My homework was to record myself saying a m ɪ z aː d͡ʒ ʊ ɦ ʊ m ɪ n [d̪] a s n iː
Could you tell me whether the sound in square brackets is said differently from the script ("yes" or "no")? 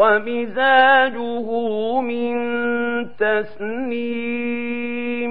yes